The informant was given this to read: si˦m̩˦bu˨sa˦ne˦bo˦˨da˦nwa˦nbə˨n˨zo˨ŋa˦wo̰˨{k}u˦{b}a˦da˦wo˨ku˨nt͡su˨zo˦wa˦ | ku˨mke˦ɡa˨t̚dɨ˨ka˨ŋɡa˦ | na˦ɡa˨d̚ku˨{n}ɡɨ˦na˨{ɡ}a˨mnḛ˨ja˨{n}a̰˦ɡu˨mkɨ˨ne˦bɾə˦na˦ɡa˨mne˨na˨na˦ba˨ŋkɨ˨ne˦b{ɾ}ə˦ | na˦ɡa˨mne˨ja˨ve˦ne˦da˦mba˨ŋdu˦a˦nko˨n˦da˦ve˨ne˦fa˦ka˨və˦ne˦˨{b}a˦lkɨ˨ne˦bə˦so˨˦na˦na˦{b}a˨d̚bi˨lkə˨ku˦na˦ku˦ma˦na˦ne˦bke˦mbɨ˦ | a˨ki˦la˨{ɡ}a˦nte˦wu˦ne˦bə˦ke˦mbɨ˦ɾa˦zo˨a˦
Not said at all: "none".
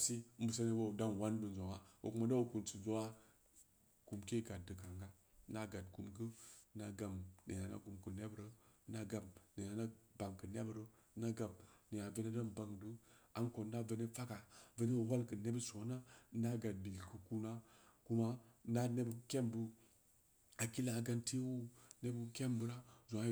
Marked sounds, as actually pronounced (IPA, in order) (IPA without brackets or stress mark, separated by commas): k, m, m, ɡ, n, ɾ, w, ɡ, ɡ